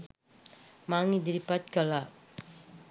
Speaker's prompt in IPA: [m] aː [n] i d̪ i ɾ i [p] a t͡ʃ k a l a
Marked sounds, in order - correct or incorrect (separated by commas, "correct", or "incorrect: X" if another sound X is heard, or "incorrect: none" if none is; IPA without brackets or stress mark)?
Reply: correct, incorrect: ŋ, correct